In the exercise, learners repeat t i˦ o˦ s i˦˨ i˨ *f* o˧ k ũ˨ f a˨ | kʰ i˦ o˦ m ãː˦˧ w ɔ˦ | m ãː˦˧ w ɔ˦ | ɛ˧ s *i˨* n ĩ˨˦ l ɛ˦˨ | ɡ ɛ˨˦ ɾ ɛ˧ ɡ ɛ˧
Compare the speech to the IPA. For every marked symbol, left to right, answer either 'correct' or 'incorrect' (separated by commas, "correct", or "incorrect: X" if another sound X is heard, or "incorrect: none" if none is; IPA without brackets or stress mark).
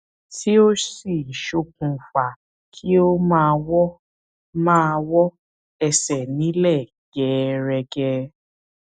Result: incorrect: ʃ, incorrect: ɛ˨